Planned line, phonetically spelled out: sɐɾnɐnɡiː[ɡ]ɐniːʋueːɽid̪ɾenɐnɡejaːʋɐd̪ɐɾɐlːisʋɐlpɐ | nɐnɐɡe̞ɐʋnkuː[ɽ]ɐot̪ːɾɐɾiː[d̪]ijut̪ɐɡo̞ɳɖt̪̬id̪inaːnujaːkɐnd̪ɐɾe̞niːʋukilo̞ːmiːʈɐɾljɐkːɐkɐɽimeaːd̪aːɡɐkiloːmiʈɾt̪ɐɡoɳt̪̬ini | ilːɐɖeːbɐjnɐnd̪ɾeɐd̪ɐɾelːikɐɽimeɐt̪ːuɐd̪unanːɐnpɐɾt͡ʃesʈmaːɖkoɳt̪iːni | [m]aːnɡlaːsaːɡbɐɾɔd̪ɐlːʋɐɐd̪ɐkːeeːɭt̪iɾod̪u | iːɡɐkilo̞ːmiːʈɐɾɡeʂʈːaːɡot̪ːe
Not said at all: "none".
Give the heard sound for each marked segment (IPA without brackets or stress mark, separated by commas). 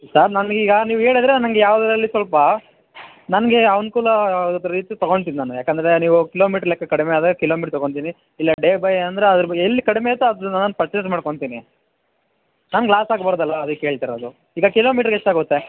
ɡ, l, t̪, n